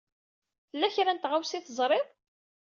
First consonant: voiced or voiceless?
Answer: voiceless